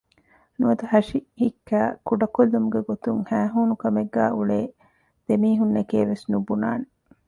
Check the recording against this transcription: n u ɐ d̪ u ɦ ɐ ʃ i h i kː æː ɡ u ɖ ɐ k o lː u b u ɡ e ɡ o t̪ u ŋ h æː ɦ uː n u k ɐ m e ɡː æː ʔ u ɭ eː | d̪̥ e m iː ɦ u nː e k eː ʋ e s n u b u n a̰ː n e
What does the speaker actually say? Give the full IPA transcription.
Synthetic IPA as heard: n u ɐ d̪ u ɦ ɐ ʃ i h i kː æː k u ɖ ɐ k o lː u m u ɡ e ɡ o t̪ u ŋ h æː ɦ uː n u k ɐ m e ɡː æː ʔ u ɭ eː | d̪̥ e m iː ɦ u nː e k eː ʋ e s n u b u n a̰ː n e